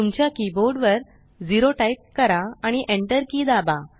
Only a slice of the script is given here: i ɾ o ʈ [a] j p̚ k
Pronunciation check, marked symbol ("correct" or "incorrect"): correct